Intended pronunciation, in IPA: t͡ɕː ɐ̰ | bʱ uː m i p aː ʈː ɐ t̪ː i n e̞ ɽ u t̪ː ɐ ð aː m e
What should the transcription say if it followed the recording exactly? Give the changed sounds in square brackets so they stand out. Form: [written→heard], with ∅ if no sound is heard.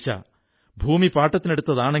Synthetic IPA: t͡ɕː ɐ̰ | bʱ uː m i p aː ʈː ɐ t̪ː i n e̞ ɽ u t̪ː ɐ ð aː [m→ɳ] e